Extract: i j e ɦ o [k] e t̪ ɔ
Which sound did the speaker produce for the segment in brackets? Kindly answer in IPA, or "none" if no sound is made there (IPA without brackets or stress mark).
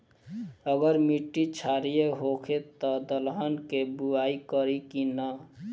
kʰ